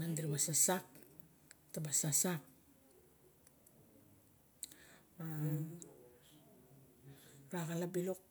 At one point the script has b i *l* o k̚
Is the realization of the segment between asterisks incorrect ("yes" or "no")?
no